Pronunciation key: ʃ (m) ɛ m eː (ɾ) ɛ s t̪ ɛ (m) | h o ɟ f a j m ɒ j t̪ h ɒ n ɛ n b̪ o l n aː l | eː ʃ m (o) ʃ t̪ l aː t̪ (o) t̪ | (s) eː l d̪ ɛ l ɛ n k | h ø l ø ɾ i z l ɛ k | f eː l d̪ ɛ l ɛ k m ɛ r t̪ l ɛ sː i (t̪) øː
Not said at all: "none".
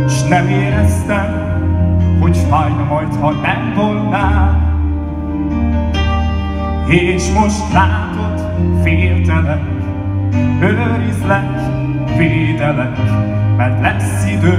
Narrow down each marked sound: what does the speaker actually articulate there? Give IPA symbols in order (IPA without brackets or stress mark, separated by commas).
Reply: n, ɾ, m, o, o, f, d̪